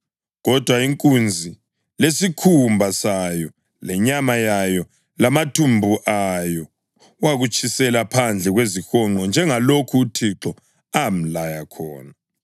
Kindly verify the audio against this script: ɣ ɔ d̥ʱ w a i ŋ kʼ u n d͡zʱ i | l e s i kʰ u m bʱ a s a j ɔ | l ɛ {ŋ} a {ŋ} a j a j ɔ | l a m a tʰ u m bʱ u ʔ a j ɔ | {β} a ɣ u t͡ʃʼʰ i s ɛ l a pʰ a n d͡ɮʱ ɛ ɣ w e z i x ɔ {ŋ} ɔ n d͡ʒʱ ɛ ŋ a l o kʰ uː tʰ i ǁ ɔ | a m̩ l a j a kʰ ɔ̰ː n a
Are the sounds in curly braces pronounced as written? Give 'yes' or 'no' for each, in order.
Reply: no, no, no, no

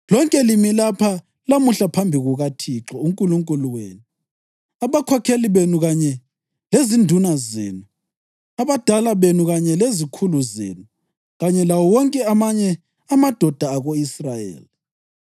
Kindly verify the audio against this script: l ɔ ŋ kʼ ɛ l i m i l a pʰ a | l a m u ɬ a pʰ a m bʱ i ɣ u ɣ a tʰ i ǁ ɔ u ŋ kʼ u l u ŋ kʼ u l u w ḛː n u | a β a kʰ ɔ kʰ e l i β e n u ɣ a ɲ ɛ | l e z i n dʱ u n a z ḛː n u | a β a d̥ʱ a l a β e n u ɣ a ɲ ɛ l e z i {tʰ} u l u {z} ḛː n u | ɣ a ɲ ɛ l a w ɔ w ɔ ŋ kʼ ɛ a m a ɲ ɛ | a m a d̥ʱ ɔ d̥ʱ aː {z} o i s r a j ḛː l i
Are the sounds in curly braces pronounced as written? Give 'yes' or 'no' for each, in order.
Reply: no, yes, no

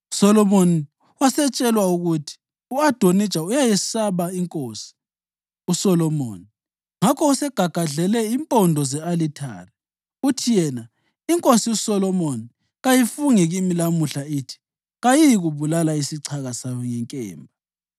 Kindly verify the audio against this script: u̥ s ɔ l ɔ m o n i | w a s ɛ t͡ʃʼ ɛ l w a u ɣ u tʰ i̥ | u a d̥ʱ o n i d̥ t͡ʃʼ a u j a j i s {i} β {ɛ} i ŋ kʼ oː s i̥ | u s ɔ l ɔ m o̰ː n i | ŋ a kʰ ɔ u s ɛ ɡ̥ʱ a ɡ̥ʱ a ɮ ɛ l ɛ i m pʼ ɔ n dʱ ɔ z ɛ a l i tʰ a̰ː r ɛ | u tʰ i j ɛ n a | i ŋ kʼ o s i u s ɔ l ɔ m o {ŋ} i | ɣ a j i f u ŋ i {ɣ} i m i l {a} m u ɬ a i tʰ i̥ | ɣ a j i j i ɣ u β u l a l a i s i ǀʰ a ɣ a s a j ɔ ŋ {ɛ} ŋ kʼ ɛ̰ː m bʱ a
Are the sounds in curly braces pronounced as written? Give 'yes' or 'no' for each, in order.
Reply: no, no, no, yes, yes, yes

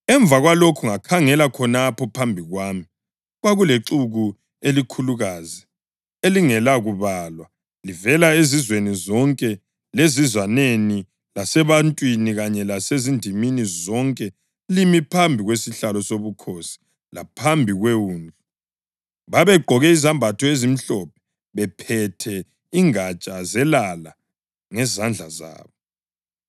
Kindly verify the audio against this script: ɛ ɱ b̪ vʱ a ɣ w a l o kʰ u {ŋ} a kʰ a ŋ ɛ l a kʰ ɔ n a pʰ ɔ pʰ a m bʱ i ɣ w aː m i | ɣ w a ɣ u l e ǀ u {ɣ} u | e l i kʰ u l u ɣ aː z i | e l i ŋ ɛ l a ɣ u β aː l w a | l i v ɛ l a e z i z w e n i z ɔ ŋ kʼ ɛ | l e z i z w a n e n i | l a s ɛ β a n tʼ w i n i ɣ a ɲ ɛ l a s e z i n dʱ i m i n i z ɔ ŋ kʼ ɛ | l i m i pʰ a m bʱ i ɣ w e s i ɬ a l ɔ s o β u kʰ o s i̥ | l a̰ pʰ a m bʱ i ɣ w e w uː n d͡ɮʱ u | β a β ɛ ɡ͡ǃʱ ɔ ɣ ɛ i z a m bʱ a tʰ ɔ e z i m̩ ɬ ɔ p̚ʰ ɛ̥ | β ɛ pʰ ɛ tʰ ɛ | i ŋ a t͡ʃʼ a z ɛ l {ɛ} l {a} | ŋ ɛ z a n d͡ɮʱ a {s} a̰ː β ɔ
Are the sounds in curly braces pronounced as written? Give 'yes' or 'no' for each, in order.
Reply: yes, yes, no, yes, no

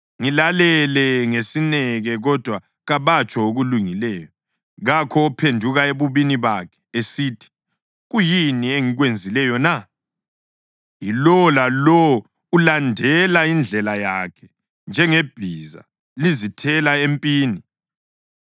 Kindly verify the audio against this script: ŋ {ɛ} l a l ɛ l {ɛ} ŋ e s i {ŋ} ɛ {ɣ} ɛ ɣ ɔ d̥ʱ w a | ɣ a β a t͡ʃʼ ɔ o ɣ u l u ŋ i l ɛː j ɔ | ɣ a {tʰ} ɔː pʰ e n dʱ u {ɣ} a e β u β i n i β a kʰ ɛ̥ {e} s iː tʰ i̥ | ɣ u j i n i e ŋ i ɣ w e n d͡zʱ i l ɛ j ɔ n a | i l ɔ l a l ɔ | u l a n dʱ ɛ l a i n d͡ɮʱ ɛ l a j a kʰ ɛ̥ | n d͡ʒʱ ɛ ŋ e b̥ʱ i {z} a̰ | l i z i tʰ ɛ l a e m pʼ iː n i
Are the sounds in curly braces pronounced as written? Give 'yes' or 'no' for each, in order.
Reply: no, yes, no, yes, no, yes, yes, yes

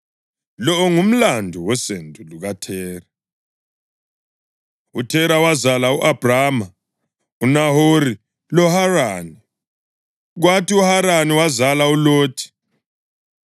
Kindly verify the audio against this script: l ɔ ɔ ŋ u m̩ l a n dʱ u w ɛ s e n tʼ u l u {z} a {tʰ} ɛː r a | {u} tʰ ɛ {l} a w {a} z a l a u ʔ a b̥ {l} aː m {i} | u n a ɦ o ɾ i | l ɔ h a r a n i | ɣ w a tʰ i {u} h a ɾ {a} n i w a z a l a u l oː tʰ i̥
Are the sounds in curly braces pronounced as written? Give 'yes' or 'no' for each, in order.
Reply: no, yes, yes, no, yes, no, no, yes, yes

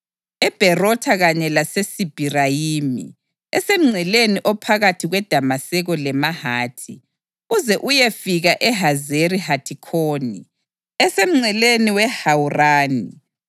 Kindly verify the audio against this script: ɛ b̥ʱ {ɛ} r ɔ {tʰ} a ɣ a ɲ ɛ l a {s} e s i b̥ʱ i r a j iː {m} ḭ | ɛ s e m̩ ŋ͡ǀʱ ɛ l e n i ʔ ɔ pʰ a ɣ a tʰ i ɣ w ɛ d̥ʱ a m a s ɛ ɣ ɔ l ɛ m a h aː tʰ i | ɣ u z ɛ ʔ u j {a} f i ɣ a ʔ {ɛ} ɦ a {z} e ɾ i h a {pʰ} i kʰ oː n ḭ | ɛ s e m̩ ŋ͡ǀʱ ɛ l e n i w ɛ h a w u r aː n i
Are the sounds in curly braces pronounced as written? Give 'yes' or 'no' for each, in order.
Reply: yes, yes, yes, yes, no, yes, yes, no

